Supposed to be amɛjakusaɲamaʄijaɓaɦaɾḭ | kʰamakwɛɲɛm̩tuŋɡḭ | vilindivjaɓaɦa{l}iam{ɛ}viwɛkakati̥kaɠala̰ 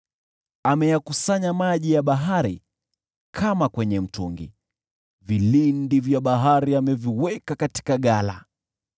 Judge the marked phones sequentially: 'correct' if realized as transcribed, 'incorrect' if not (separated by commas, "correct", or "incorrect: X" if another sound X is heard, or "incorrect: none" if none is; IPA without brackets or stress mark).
incorrect: ɾ, correct